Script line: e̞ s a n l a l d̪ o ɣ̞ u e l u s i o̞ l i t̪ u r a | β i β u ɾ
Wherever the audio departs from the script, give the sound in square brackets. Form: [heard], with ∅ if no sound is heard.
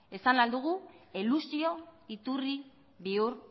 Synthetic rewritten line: e̞ s a n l a l d̪ [u] ɣ̞ u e l u s i o̞ [∅] i t̪ u r [i] | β i [∅] u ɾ

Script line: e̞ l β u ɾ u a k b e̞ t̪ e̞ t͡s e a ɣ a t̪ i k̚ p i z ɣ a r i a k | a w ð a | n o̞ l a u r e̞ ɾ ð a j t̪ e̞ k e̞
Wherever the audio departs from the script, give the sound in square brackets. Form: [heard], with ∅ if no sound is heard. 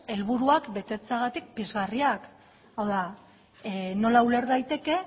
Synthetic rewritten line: e̞ l β u ɾ u a k b e̞ t̪ e̞ t͡s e a ɣ a t̪ i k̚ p i z ɣ a r i a k | a w ð a | n o̞ l a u [l] e̞ ɾ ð a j t̪ e̞ k e̞

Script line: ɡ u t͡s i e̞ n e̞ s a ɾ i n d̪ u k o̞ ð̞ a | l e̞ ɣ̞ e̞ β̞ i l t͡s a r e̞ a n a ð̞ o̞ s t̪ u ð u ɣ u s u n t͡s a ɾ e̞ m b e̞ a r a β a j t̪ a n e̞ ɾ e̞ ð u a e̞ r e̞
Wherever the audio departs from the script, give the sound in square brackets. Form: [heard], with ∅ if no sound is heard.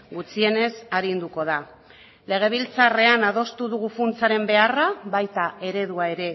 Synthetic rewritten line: ɡ u t͡s i e̞ n e̞ s a ɾ i n d̪ u k o̞ ð̞ a | l e̞ ɣ̞ e̞ β̞ i l t͡s a r e̞ a n a ð̞ o̞ s t̪ u ð u ɣ u [f] u n t͡s a ɾ e̞ m b e̞ a r a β a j t̪ a [∅] e̞ ɾ e̞ ð u a e̞ [ɾ] e̞

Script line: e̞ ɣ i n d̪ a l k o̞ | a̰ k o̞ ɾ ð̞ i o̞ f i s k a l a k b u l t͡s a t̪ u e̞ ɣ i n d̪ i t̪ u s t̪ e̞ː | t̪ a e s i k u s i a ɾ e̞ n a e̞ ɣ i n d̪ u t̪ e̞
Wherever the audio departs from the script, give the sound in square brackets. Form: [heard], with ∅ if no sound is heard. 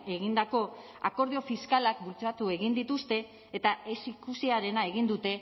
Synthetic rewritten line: e̞ ɣ i n d̪ a [∅] k o̞ | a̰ k o̞ ɾ ð̞ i o̞ f i s k a l a k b u l t͡s a t̪ u e̞ ɣ i n d̪ i t̪ u s t̪ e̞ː | t̪ a e s i k u s i a ɾ e̞ n a e̞ ɣ i n d̪ u t̪ e̞

